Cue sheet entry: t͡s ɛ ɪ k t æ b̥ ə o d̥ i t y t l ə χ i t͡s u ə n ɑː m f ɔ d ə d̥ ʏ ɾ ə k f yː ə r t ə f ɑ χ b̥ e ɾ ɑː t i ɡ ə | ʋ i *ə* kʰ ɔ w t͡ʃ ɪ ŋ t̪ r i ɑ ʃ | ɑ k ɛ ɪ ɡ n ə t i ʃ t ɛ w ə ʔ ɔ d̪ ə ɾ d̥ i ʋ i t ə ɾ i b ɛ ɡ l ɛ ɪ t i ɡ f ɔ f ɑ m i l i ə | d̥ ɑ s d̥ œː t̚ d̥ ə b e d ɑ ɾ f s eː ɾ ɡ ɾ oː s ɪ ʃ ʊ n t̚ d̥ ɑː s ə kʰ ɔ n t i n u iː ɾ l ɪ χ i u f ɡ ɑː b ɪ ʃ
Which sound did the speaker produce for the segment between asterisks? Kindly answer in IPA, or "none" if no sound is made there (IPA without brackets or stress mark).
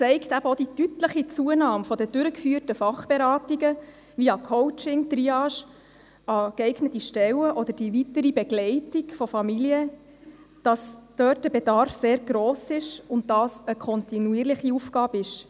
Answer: ɑ